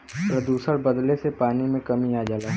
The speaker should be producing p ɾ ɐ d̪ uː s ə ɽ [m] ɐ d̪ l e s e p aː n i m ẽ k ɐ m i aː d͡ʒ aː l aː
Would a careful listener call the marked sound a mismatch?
yes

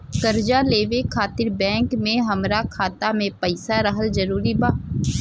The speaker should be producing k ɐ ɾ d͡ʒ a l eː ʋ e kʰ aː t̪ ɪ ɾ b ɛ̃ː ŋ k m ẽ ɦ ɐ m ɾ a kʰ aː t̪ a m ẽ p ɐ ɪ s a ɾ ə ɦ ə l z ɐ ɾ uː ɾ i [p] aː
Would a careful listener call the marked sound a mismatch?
yes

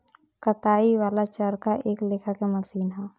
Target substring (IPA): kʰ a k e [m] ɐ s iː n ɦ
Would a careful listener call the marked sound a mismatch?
no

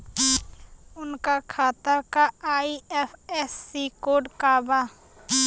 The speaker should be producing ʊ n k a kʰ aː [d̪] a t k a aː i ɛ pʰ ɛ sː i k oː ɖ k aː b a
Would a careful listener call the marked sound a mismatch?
yes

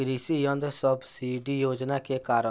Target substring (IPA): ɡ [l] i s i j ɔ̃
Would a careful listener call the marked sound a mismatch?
yes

